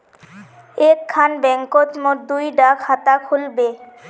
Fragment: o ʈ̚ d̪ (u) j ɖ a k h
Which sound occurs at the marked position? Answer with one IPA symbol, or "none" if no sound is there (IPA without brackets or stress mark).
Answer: u